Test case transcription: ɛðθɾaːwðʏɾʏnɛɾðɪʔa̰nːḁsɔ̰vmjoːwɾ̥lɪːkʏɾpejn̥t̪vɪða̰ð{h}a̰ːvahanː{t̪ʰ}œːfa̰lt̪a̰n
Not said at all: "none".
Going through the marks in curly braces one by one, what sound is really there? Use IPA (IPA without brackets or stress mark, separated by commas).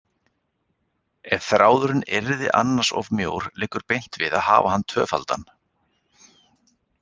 h, t̪ʰ